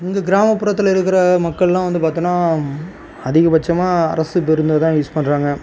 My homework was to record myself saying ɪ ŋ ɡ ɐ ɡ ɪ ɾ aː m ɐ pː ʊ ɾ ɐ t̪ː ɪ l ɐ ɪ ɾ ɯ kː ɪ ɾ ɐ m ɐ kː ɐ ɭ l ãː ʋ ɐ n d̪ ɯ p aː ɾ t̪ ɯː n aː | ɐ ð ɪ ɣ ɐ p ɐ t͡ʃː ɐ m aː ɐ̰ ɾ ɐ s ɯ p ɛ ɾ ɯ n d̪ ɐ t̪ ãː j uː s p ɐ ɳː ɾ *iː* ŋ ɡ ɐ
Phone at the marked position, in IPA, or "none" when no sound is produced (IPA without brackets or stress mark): aː